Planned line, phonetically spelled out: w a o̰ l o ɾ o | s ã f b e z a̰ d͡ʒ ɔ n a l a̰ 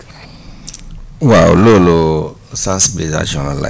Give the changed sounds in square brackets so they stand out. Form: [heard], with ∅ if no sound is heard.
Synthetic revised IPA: w a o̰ l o [l] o | s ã [s] b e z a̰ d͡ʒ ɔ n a l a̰